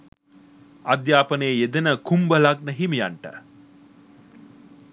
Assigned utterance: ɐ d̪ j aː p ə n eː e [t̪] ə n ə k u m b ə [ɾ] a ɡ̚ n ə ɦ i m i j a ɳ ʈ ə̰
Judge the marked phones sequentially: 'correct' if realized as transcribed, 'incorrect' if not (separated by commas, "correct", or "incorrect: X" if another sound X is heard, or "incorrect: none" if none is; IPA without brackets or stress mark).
incorrect: d̪, incorrect: l